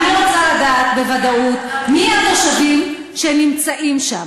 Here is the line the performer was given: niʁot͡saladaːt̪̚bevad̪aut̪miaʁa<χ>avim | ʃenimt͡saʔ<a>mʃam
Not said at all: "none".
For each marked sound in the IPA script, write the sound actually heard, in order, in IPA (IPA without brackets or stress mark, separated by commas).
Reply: ʃ, i